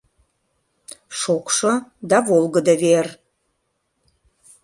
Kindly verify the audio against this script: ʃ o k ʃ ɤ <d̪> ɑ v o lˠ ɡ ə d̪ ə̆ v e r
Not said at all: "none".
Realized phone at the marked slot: d̪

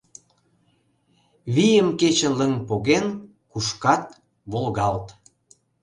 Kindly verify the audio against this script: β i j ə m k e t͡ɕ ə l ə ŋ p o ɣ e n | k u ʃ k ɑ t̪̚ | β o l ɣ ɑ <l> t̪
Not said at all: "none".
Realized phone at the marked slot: l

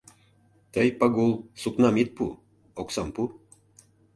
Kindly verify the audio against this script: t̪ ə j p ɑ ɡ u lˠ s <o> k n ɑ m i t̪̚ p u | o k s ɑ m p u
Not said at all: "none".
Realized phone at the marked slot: u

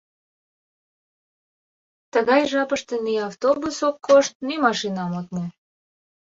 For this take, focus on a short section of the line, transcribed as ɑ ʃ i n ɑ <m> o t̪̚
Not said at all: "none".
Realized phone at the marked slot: m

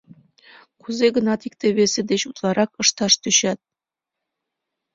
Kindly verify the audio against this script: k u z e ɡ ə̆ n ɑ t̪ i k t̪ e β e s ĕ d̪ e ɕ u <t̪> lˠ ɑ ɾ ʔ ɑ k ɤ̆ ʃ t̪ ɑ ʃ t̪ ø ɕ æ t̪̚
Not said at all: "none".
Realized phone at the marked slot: t̪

